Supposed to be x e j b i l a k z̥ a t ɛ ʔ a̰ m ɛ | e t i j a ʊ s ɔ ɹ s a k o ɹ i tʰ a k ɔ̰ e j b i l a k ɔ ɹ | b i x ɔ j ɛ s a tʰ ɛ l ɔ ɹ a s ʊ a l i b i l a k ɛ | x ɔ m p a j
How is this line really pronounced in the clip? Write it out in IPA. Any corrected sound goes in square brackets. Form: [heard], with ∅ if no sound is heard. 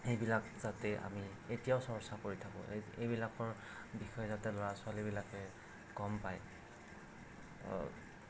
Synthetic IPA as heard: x e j b i l a k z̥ a t ɛ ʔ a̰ m [i] | e t i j a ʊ s ɔ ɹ s a k o ɹ i tʰ a k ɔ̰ e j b i l a k ɔ ɹ | b i x ɔ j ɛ [z] a [t] ɛ l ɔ ɹ a s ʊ a l i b i l a k ɛ | [k] ɔ m p a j